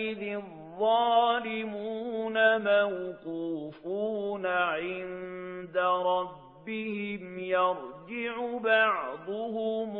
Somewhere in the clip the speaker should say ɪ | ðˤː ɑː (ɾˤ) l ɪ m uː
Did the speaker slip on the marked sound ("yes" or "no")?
yes